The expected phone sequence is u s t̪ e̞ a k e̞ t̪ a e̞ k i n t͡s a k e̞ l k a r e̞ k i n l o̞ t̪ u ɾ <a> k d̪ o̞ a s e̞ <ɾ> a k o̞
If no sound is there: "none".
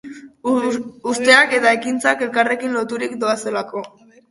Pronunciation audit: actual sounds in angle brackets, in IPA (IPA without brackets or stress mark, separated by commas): i, l